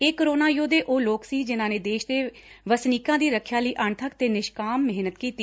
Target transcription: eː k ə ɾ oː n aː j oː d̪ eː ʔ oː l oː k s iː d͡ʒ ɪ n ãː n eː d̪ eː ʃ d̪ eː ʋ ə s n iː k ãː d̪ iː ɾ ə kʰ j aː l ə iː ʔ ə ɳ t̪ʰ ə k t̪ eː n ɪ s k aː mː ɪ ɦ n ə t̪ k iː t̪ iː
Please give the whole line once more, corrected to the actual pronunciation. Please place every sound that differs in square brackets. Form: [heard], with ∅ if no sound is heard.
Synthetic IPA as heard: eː k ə ɾ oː n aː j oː d̪ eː ʔ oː l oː k s iː d͡ʒ ɪ n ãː n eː d̪ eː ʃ d̪ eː ʋ ə s n iː k ãː d̪ iː ɾ ə kʰ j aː l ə iː ʔ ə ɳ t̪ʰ ə k t̪ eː n ɪ [ʃ] k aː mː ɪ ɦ n ə t̪ k iː t̪ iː